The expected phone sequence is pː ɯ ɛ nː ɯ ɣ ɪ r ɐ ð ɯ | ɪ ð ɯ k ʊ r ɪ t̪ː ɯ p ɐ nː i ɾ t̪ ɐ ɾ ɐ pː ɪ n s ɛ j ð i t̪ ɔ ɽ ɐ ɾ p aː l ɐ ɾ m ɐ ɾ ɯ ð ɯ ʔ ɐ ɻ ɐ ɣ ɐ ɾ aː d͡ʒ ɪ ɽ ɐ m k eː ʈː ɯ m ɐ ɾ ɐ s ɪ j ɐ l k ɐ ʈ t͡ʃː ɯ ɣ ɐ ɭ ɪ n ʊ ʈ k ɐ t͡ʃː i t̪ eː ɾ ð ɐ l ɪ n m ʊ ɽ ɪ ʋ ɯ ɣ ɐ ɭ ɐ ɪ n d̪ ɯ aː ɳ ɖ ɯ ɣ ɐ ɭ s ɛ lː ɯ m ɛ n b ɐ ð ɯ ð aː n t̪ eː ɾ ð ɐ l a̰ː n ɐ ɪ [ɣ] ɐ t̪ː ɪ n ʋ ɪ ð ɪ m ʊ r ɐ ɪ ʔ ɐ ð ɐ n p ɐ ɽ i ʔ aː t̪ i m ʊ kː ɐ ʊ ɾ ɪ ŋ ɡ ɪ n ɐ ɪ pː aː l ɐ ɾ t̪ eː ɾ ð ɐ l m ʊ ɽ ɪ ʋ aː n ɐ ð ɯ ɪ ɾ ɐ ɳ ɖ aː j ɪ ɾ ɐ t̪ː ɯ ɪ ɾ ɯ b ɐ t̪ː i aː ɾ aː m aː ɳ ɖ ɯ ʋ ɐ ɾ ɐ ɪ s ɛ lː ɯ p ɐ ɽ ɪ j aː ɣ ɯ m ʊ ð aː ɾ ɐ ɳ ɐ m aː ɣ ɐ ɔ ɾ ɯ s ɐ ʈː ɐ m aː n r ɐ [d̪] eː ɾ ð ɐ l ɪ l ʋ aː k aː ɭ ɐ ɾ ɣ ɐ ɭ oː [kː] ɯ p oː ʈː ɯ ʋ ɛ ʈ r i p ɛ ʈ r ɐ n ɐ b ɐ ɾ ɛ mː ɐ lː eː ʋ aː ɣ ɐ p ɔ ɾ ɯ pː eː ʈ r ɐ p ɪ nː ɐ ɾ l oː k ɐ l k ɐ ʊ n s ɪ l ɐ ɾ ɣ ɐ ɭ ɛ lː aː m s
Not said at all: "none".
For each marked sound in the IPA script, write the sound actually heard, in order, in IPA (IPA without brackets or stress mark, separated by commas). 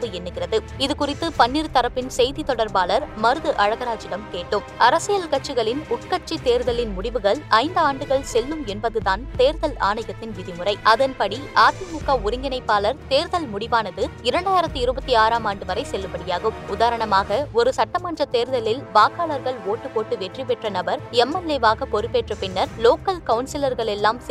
ɣ, t̪, ʈː